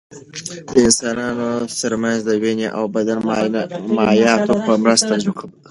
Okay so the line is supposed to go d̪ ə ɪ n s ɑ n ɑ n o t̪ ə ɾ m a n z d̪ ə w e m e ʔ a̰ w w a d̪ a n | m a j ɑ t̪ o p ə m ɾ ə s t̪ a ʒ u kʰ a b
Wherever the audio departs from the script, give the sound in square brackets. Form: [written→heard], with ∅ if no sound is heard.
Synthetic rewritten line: d̪ ə ɪ n s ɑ n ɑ n o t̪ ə ɾ m a n z d̪ ə w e [m→n] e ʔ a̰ w [w→b] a d̪ a n | m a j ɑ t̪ o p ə m ɾ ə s t̪ a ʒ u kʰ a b